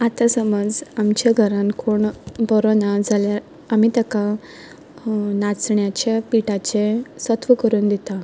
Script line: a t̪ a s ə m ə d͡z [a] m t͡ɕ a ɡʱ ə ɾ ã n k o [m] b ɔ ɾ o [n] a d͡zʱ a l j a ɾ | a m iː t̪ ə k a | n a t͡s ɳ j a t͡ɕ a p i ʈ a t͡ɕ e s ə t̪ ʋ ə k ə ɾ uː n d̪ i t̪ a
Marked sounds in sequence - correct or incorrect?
correct, incorrect: ɳ, correct

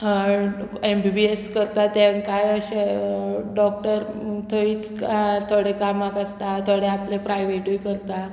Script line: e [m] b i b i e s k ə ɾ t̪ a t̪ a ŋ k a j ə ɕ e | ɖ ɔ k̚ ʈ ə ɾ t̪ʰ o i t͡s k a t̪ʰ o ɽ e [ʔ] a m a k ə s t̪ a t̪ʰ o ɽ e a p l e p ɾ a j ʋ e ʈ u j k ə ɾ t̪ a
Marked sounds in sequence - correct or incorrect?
correct, incorrect: k

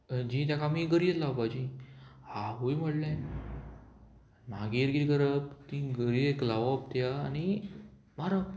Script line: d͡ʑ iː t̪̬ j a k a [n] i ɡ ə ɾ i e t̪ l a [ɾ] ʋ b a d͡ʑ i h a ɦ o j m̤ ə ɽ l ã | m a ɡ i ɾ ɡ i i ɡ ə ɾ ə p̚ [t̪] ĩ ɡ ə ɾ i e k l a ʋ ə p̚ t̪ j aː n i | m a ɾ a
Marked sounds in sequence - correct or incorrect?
incorrect: m, incorrect: none, correct

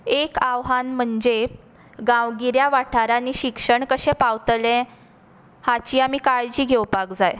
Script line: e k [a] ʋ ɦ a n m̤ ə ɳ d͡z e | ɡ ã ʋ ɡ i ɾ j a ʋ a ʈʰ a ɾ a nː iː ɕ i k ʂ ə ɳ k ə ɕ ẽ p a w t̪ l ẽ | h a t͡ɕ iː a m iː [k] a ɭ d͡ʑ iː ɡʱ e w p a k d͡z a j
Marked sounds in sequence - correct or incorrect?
correct, correct

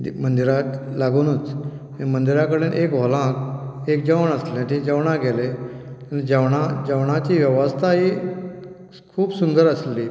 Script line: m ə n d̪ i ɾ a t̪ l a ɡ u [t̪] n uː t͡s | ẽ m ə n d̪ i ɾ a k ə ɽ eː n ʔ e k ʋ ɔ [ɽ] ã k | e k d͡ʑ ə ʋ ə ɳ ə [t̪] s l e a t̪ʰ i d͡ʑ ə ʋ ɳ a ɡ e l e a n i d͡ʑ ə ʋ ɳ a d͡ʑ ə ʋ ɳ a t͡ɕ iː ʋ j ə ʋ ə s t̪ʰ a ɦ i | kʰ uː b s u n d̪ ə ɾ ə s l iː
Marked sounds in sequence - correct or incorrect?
incorrect: none, incorrect: l, incorrect: none

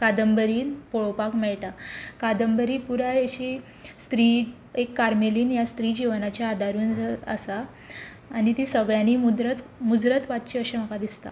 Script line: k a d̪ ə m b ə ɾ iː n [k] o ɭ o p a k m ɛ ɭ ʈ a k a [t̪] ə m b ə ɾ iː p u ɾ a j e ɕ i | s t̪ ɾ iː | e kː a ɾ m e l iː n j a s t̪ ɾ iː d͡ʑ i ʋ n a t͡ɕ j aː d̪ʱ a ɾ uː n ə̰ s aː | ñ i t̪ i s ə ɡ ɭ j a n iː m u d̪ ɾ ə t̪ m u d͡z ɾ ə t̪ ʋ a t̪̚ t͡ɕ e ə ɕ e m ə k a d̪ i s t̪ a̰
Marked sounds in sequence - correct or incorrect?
incorrect: p, incorrect: d̪

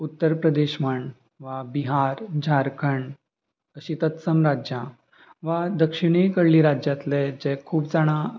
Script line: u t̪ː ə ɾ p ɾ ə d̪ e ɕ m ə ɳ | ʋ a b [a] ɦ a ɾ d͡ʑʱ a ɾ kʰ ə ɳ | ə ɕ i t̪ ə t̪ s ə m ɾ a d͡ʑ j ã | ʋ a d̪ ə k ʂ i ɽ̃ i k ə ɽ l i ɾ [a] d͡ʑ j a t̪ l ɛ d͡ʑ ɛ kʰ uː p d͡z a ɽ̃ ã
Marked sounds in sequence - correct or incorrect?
incorrect: i, correct

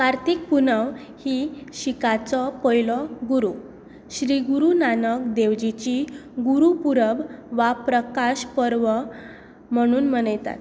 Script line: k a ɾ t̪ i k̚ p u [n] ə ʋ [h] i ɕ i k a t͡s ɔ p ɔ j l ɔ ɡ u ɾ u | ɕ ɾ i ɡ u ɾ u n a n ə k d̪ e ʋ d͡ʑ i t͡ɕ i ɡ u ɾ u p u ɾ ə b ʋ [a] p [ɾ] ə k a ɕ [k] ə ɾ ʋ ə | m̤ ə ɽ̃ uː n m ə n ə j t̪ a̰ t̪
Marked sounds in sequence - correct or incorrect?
correct, correct, correct, correct, incorrect: p

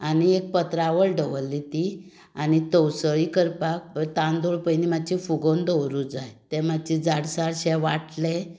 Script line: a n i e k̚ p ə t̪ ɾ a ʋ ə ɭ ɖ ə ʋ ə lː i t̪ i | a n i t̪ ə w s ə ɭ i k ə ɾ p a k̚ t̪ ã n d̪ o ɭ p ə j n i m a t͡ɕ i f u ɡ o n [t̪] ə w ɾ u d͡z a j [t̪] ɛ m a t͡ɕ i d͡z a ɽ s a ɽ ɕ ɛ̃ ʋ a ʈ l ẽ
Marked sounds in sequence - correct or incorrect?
incorrect: d̪, correct

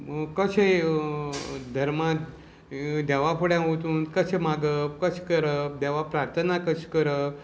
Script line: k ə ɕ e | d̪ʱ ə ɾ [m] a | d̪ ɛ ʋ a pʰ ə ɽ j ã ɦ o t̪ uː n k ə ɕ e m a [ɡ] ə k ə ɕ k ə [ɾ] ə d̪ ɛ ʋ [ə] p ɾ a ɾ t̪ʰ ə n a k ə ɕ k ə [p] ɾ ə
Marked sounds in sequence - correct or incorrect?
correct, correct, correct, incorrect: a, incorrect: none

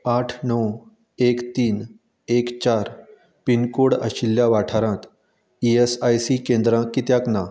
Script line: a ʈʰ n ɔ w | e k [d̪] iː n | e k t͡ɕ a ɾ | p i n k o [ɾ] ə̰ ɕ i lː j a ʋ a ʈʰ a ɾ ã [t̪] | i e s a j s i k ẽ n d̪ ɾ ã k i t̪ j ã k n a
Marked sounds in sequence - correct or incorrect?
incorrect: t̪, incorrect: ɽ, correct

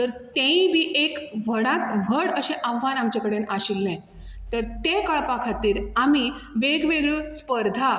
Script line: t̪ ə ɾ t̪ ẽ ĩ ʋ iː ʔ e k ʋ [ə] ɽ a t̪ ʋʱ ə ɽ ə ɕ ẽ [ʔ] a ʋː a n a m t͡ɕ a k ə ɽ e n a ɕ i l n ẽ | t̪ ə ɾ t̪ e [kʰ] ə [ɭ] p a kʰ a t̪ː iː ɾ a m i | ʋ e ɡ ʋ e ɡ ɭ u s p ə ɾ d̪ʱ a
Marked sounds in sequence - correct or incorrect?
correct, correct, incorrect: k, correct

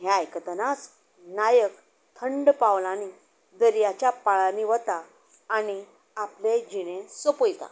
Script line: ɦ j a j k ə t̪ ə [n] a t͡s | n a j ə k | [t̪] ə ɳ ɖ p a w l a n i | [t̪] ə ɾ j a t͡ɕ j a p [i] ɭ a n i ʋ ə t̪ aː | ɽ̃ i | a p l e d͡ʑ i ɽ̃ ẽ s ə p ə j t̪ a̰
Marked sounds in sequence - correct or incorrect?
correct, incorrect: t̪ʰ, incorrect: d̪, incorrect: a

